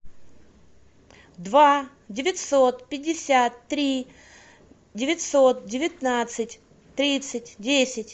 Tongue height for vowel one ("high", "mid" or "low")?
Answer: low